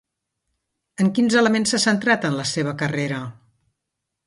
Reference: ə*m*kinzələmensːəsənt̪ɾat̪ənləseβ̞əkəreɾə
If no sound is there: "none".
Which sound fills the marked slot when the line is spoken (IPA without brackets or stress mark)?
ŋ